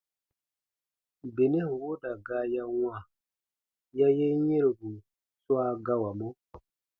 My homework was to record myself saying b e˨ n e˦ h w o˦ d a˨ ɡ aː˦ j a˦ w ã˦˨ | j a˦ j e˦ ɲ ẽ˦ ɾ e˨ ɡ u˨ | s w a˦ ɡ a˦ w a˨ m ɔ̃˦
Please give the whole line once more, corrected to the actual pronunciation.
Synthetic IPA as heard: b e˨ n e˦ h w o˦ d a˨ ɡ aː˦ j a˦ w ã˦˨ | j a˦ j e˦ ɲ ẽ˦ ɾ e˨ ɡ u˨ | s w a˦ ɡ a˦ w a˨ m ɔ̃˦